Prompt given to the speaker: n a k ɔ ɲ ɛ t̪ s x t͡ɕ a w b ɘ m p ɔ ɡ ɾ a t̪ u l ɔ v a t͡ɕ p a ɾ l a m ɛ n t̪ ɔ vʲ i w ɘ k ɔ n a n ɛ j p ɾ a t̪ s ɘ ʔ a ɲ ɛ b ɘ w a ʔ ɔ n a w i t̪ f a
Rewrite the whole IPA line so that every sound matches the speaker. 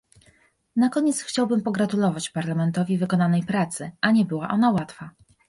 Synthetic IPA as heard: n a k ɔ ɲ ɛ t̪ s x t͡ɕ a w b ɘ m p ɔ ɡ ɾ a t̪ u l ɔ v a t͡ɕ p a ɾ l a m ɛ n t̪ ɔ vʲ i v ɘ k ɔ n a n ɛ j p ɾ a t̪ s ɘ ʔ a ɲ ɛ b ɘ w a ʔ ɔ n a w a t̪ f a

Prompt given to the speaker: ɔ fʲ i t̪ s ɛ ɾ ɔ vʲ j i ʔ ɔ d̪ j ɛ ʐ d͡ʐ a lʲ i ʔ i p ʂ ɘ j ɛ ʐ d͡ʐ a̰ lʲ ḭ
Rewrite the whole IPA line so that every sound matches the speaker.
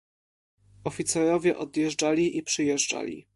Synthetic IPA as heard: ɔ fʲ i t̪ s ɛ ɾ ɔ vʲ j ɛ ʔ ɔ d̪ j ɛ ʐ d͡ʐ a lʲ i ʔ i p ʂ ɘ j ɛ ʐ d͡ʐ a̰ lʲ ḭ

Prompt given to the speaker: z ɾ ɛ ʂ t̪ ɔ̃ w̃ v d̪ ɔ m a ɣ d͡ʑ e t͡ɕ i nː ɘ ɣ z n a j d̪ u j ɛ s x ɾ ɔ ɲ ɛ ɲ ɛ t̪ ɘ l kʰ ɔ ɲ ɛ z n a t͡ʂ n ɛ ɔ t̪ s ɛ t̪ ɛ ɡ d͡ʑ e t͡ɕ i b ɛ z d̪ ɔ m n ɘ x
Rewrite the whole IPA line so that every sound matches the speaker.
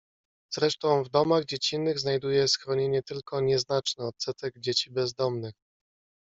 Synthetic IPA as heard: z ɾ ɛ ʂ t̪ ɔ̃ w̃ v d̪ ɔ m a ɣ d͡ʑ e t͡ɕ i nː ɘ ɣ z n a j d̪ u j ɛ s x ɾ ɔ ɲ e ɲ ɛ t̪ ɘ l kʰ ɔ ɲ ɛ z n a t͡ʂ n ɛ ɔ t̪ s ɛ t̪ ɛ ɡ d͡ʑ e t͡ɕ i b ɛ z d̪ ɔ m n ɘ x

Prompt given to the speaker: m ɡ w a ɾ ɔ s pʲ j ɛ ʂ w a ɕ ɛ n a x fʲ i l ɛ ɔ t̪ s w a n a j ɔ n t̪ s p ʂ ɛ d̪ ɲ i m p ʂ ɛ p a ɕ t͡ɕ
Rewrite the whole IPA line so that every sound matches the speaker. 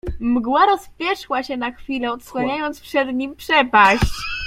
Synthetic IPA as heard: m ɡ w a ɾ ɔ s pʲ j ɛ ʂ w a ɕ ɛ n a x fʲ i l ɛ ɔ t̪ s w a ɲ a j ɔ n t̪ s p ʂ ɛ d̪ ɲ i m p ʂ ɛ p a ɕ t͡ɕ

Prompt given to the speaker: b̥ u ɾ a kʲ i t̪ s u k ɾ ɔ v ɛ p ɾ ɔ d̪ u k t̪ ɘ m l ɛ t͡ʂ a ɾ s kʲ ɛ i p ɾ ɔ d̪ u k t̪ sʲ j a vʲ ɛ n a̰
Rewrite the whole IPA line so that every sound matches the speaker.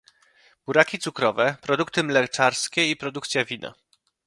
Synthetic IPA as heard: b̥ u ɾ a kʲ i t̪ s u k ɾ ɔ v ɛ p ɾ ɔ d̪ u k t̪ ɘ m l ɛ t͡ʂ a ɾ s kʲ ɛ i p ɾ ɔ d̪ u k t̪ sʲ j a vʲ i n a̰

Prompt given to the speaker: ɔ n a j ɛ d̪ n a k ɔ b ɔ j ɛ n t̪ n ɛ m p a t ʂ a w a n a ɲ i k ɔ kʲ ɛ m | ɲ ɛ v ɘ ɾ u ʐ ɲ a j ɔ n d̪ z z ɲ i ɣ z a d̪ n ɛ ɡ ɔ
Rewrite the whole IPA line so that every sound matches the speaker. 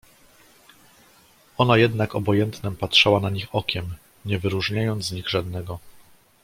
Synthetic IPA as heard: ɔ n a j ɛ d̪ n a k ɔ b ɔ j ɛ n t̪ n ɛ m p a t ʂ a w a n a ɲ i x ɔ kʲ ɛ m | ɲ ɛ v ɘ ɾ u ʐ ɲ a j ɔ n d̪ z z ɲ i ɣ ʐ a d̪ n ɛ ɡ ɔ

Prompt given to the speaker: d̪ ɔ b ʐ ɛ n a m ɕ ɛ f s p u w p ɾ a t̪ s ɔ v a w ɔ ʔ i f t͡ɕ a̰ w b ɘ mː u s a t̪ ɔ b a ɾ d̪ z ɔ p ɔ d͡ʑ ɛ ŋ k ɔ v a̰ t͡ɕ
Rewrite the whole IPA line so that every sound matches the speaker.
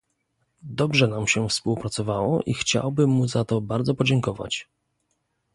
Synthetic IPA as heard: d̪ ɔ b ʐ ɛ n a m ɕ ɛ f s p u w p ɾ a t̪ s ɔ v a w ɔ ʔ i x t͡ɕ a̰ w b ɘ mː u z a t̪ ɔ b a ɾ d̪ z ɔ p ɔ d͡ʑ ɛ ŋ k ɔ v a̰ t͡ɕ

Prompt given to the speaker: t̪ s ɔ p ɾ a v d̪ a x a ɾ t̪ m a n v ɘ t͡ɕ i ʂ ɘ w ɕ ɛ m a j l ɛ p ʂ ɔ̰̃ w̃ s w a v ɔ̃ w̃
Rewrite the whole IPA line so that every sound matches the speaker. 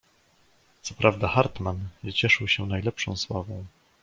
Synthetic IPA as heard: t̪ s ɔ p ɾ a v d̪ a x a ɾ t̪ m a n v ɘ t͡ɕ ɛ ʂ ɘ w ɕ ɛ n a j l ɛ p ʂ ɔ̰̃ w̃ s w a v ɔ̃ w̃

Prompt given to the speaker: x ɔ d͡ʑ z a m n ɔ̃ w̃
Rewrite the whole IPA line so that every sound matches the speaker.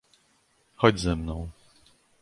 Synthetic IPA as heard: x ɔ d͡ʑ z ɛ m n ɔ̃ w̃

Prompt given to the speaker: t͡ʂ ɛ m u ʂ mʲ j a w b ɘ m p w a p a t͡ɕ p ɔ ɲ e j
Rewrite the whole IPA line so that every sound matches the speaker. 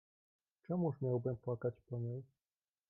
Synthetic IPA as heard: t͡ʂ ɛ m u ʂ mʲ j a w b ɘ m p w a k a t͡ɕ p ɔ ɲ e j

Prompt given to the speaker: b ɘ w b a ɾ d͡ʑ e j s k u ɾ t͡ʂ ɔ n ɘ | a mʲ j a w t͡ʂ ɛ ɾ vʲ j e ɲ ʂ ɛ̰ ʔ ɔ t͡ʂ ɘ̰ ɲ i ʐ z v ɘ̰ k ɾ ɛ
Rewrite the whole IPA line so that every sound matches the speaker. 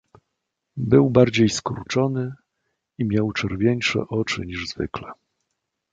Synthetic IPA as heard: b ɘ w b a ɾ d͡ʑ e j s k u ɾ t͡ʂ ɔ n ɘ | i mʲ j a w t͡ʂ ɛ ɾ vʲ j e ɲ ʂ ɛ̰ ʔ ɔ t͡ʂ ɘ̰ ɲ i ʐ z v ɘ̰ k l ɛ

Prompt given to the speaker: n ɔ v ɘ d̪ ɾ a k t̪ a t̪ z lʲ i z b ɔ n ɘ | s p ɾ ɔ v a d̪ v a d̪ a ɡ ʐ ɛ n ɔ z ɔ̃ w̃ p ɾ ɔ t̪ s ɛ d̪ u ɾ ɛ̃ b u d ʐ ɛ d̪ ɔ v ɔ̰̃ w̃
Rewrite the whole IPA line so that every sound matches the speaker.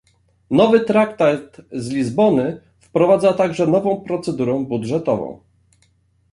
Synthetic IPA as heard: n ɔ v ɘ t̪ ɾ a k t̪ a t̪ z lʲ i z b ɔ n ɘ | f p ɾ ɔ v a d̪ z a t̪ a ɡ ʐ ɛ n ɔ v ɔ̃ w̃ p ɾ ɔ t̪ s ɛ d̪ u ɾ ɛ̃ b u d ʐ ɛ t̪ ɔ v ɔ̰̃ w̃

